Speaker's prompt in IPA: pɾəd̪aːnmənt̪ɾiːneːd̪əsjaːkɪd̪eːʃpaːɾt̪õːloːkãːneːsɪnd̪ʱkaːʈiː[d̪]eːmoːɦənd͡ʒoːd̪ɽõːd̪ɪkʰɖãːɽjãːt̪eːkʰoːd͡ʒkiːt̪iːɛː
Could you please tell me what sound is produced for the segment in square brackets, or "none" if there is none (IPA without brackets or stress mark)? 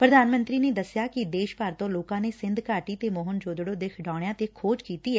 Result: t̪